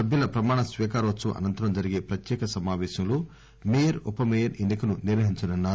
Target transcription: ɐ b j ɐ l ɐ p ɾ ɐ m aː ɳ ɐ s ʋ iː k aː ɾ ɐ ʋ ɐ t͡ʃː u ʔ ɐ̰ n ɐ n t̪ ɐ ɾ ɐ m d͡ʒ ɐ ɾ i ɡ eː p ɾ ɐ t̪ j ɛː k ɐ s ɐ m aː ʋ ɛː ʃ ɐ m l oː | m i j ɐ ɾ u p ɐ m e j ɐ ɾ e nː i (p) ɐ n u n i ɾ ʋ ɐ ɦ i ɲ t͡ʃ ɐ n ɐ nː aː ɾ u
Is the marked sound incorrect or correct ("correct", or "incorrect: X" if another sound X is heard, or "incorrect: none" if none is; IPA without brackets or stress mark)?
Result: incorrect: k